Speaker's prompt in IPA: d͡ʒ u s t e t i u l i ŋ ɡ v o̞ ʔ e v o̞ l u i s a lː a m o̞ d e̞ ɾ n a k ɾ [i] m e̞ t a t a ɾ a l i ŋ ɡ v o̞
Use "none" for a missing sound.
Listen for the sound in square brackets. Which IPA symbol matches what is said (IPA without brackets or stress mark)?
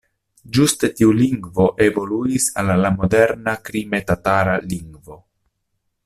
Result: i